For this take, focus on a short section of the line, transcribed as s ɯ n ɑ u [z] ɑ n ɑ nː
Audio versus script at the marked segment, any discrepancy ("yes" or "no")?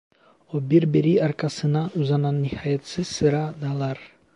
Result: no